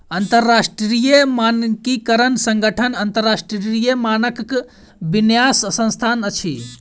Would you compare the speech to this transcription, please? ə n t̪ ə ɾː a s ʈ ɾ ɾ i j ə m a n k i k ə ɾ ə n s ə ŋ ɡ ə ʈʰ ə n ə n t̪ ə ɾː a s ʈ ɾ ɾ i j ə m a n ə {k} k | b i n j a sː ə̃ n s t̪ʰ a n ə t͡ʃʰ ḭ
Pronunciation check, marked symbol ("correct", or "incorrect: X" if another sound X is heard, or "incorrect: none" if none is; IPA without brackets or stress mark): correct